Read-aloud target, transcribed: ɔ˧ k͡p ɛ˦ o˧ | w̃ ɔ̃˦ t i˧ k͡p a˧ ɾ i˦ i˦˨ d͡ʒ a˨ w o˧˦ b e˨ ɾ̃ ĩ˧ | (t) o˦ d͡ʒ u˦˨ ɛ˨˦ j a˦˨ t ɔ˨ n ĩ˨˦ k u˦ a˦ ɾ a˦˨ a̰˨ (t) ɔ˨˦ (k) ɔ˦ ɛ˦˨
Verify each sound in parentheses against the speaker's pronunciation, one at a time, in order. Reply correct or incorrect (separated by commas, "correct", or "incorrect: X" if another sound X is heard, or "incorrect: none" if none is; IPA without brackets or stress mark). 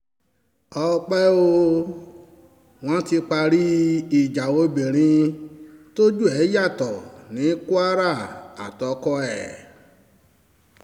correct, correct, correct